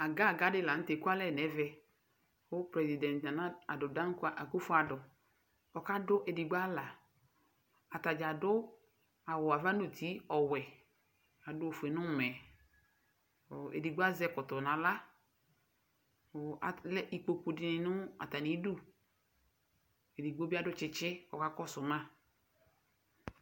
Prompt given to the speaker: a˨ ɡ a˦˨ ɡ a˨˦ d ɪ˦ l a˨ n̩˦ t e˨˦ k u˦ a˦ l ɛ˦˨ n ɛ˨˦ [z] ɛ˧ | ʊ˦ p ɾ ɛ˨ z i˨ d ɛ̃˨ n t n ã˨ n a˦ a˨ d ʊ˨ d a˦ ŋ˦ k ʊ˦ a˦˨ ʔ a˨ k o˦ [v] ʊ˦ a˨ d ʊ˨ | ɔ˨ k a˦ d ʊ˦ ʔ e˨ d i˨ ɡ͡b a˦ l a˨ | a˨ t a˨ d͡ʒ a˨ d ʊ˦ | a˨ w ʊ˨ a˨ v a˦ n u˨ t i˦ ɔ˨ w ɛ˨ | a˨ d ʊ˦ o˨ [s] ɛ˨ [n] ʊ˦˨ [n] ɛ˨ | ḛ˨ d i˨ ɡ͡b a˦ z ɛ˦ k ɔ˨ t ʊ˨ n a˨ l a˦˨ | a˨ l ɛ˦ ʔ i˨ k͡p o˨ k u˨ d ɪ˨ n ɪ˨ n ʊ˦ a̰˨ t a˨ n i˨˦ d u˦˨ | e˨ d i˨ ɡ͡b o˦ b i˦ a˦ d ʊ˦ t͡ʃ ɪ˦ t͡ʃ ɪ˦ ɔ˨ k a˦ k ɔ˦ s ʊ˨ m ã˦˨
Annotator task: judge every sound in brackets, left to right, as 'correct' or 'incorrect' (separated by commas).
incorrect, incorrect, incorrect, correct, incorrect